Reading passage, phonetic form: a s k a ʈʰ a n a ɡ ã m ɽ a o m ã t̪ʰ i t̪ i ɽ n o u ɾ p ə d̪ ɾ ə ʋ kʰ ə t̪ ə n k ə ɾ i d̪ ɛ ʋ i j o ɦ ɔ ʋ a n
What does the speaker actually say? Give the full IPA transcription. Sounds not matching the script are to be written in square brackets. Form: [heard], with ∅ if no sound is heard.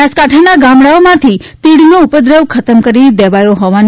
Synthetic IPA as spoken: a s k a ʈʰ a n a ɡ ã m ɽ a o m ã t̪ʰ i t̪ i ɽ n o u [∅] p ə d̪ ɾ ə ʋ kʰ ə t̪ ə [m] k ə ɾ i d̪ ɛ ʋ [a] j o ɦ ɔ ʋ a n